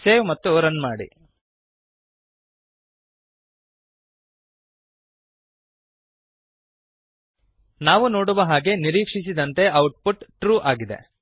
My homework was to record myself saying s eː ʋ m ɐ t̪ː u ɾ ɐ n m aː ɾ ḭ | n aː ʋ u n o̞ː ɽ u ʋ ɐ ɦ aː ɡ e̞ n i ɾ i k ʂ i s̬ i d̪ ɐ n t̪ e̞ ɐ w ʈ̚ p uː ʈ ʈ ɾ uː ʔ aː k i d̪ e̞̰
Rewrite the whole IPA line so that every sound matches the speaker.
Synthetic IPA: s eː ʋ m ɐ t̪ː u ɾ ɐ n m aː ɽ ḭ | n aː ʋ u n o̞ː ɽ u ʋ ɐ ɦ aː ɡ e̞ n i ɾ iː k ʂ i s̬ i d̪ ɐ n t̪ e̞ ɐ w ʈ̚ p u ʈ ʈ ɾ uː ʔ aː ɡ i d̪ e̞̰